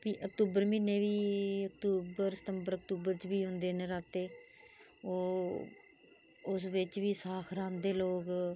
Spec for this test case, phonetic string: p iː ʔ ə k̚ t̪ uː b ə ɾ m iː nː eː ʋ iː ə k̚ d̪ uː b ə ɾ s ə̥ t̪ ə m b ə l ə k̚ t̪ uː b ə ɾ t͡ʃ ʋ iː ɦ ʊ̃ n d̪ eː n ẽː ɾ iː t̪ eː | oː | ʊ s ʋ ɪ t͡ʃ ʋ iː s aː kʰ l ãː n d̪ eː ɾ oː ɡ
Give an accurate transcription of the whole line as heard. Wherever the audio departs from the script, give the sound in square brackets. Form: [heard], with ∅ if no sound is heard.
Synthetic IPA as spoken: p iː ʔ ə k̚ t̪ uː b ə ɾ m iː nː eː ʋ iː ə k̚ [t̪] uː b ə ɾ s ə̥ t̪ ə m b ə [ɾ] ə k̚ t̪ uː b ə ɾ t͡ʃ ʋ iː ɦ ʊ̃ n d̪ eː n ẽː ɾ [aː] t̪ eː | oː | ʊ s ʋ ɪ t͡ʃ ʋ iː s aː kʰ [ɾ] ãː n d̪ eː [l] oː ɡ